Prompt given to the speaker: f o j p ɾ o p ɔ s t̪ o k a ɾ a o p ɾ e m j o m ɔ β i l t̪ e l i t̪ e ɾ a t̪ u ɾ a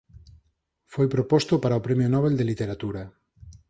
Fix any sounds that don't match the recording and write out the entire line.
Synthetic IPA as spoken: f o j p ɾ o p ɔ s t̪ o p a ɾ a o p ɾ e m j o n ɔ β e l d̪ e l i t̪ e ɾ a t̪ u ɾ a